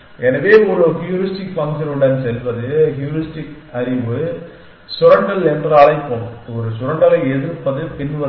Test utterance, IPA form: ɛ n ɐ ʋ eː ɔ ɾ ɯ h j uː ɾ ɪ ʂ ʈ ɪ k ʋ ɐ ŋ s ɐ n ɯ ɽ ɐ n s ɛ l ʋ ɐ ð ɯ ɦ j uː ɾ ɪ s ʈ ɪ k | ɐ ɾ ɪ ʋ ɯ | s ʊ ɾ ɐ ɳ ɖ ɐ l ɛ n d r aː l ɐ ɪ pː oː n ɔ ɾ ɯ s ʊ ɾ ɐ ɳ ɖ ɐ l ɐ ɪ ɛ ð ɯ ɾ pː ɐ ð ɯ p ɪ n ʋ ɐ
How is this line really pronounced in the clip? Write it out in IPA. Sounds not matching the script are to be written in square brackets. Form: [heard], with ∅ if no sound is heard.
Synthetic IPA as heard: ɛ n ɐ ʋ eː ɔ ɾ ɯ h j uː ɾ ɪ [s] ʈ ɪ k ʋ ɐ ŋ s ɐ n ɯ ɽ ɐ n s ɛ l ʋ ɐ ð ɯ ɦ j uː ɾ ɪ s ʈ ɪ k | ɐ ɾ ɪ ʋ ɯ | s ʊ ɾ ɐ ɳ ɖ ɐ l ɛ n d r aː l ɐ ɪ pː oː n ɔ ɾ ɯ s ʊ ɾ ɐ ɳ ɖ ɐ l ɐ ɪ ɛ ð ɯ ɾ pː ɐ ð ɯ p ɪ n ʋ ɐ